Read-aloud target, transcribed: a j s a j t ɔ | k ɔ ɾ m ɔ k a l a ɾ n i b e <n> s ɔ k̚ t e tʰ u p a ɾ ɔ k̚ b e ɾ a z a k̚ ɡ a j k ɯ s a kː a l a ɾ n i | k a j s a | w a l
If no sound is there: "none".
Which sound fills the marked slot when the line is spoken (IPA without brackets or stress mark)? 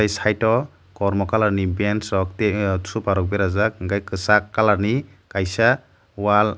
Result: n